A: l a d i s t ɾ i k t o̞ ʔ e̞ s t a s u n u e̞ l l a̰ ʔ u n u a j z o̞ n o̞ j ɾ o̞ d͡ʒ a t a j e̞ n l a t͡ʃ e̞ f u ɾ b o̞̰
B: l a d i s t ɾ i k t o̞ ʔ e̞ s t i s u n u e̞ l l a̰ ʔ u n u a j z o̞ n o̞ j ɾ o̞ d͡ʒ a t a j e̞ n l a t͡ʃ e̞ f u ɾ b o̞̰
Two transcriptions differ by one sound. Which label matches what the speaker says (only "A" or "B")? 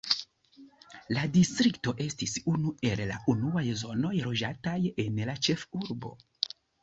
B